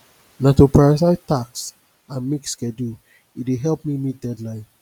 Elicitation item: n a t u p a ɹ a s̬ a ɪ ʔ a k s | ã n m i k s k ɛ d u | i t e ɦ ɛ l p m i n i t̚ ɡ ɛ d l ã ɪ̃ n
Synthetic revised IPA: n a t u p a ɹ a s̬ a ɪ t a k s | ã n m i k s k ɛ d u | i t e ɦ ɛ l p m i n i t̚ d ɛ d l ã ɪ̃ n